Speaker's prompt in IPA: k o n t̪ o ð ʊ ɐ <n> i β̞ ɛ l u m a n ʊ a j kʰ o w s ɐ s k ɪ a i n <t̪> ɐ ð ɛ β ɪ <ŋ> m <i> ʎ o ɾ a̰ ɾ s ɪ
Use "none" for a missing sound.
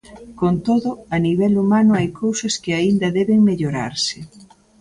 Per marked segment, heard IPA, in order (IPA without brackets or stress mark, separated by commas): n, d̪, ŋ, e